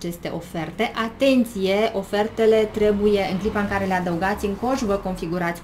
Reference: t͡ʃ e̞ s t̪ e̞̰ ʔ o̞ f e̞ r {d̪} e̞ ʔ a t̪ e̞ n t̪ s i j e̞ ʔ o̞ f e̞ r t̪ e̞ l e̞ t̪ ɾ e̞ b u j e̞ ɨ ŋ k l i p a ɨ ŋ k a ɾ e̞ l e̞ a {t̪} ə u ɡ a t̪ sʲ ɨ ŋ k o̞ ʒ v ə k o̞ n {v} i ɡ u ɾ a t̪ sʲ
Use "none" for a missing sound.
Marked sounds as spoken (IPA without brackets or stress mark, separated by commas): t̪, d̪, f